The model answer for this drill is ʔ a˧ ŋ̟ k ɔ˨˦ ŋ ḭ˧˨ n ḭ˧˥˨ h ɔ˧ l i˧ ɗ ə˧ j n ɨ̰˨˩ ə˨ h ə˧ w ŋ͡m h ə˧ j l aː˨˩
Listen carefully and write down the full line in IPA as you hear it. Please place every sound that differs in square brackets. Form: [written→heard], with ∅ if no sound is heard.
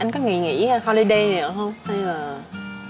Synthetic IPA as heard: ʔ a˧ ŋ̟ k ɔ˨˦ ŋ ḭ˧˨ [n→ŋ] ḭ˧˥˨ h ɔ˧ l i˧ ɗ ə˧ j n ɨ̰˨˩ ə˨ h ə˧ w ŋ͡m h [ə˧→a˧] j l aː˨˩

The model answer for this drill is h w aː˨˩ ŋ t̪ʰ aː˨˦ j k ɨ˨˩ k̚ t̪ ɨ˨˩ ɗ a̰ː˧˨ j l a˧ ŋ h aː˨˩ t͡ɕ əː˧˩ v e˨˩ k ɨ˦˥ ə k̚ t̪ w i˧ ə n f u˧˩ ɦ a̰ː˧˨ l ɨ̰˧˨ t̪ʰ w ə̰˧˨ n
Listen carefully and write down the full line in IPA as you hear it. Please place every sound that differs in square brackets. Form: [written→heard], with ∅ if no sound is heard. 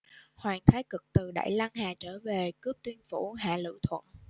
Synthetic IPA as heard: h w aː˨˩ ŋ t̪ʰ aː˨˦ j k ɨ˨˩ k̚ t̪ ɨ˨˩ ɗ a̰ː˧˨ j l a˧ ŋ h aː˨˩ t͡ɕ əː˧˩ v e˨˩ k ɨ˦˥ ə [k̚→p̚] t̪ w i˧ ə n f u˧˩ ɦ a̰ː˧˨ l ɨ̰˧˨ t̪ʰ w ə̰˧˨ n

